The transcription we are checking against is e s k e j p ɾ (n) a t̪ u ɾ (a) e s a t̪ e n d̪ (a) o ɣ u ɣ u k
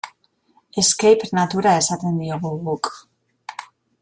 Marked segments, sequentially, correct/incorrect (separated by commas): correct, correct, incorrect